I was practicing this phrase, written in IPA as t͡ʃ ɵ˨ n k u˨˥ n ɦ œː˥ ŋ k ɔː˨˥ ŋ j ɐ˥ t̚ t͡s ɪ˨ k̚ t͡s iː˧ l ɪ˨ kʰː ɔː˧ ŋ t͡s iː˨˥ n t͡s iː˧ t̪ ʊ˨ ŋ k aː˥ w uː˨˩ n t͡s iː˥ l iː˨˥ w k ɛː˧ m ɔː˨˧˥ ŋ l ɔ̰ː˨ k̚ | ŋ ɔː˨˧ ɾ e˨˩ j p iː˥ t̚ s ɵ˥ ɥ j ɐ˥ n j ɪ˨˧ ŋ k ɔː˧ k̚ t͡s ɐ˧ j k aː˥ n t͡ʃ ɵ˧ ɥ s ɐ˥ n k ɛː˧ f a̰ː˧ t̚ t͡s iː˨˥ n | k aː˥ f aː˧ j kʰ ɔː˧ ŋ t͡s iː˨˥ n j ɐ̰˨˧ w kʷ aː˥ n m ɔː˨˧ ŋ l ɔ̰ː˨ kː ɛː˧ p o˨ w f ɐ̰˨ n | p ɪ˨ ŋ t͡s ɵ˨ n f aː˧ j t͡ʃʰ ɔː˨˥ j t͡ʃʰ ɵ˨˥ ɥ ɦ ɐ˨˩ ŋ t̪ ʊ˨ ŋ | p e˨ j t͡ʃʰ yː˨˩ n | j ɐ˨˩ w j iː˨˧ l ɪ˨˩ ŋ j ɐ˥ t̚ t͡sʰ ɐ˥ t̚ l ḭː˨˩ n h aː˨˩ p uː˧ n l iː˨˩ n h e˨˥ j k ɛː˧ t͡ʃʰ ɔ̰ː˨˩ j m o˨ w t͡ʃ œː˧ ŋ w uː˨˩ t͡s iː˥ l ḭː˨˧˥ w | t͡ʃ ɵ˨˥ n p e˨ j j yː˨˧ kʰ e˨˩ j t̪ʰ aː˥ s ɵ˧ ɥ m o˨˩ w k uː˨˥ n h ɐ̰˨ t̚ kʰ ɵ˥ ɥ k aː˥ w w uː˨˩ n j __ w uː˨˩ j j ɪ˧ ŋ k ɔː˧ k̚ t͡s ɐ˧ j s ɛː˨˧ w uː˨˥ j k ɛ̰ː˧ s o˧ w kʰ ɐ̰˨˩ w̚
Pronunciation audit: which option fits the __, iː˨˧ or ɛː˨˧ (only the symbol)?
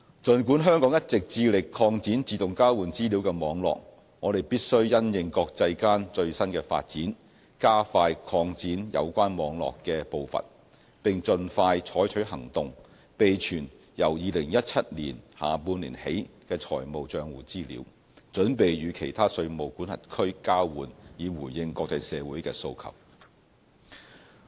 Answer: iː˨˧